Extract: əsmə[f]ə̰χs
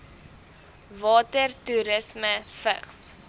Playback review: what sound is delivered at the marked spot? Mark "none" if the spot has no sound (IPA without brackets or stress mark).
f